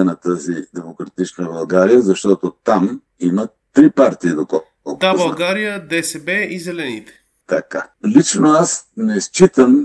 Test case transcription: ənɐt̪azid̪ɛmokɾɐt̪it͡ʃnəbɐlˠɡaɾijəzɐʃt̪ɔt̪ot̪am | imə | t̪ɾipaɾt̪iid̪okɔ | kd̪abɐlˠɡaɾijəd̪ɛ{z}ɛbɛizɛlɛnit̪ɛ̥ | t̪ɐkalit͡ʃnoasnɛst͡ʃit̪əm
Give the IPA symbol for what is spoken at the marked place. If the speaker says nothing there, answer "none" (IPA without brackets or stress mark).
s